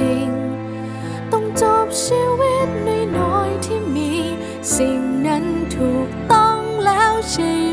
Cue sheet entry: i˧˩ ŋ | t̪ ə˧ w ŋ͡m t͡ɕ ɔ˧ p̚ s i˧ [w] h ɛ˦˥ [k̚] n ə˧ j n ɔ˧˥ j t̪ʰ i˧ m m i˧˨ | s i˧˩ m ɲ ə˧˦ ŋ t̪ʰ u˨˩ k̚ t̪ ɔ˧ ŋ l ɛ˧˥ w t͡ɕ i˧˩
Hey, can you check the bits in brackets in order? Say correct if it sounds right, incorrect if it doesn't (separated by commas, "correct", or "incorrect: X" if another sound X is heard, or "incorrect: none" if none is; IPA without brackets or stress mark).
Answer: correct, incorrect: t̚